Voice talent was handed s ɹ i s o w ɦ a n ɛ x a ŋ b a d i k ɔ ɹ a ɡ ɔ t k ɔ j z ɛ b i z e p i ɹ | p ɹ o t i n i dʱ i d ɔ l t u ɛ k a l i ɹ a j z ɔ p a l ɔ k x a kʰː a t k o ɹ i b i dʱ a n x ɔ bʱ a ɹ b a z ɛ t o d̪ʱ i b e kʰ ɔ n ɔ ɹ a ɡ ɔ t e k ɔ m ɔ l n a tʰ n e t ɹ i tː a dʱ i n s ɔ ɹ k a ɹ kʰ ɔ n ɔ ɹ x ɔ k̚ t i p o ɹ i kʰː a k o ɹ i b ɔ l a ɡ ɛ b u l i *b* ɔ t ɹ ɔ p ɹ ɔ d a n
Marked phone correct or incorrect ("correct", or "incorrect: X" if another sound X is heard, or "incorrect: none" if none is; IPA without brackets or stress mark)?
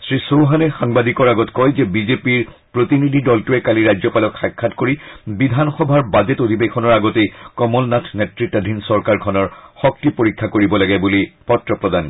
incorrect: p